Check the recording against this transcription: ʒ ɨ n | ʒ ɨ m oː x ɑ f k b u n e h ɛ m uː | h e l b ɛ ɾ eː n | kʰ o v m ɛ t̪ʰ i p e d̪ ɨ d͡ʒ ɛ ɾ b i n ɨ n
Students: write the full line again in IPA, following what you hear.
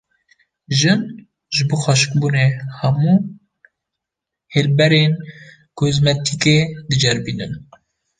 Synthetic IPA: ʒ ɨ n | ʒ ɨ b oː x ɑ ʃ k b u n e h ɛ m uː | h e l b ɛ ɾ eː n | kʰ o z m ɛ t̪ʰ i k e d̪ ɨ d͡ʒ ɛ ɾ b i n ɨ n